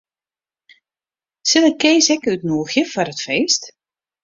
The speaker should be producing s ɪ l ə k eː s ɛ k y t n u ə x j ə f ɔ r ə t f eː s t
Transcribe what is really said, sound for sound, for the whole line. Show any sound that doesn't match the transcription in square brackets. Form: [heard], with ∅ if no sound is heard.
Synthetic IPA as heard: s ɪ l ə k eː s ɛ k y t n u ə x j ə f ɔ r ə t f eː s t